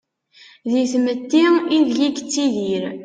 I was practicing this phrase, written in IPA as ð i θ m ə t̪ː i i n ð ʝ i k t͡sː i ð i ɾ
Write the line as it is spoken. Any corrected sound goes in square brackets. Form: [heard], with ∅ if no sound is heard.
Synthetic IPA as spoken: ð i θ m ə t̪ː i i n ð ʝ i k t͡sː i ð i ɾ